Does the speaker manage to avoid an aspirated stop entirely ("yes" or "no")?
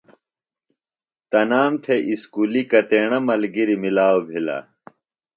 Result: no